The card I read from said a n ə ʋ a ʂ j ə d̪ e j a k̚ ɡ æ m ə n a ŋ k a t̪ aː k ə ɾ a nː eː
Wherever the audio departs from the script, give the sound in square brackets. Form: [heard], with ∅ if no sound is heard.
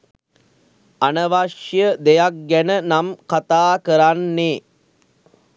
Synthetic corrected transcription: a n ə ʋ a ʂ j ə d̪ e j a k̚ ɡ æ [n] ə n a [m] k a t̪ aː k ə ɾ a nː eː